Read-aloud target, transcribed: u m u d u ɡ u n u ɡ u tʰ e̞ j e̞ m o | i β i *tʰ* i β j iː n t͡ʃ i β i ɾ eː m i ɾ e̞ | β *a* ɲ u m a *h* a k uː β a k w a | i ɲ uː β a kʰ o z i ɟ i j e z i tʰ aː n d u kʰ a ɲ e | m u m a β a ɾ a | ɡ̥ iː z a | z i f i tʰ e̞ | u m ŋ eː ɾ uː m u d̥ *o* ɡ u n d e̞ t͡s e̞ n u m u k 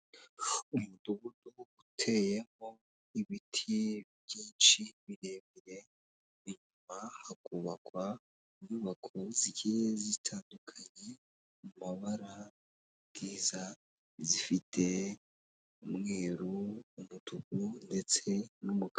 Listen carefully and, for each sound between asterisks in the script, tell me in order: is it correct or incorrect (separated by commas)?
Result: correct, incorrect, correct, incorrect